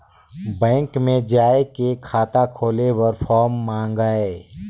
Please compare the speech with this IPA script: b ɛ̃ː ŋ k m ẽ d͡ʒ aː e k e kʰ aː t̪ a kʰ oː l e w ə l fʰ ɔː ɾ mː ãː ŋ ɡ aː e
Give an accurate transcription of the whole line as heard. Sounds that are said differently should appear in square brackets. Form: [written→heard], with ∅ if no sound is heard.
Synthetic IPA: b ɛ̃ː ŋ k m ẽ d͡ʒ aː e k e kʰ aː t̪ a kʰ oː l e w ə [l→ɾ] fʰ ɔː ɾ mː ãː ŋ ɡ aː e